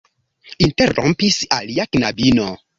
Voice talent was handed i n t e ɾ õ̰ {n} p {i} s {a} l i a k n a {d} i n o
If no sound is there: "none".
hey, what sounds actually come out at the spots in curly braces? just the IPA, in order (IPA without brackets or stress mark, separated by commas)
m, i, a, b